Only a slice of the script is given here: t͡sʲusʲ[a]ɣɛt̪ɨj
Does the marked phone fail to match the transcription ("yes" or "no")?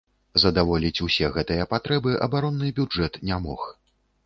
yes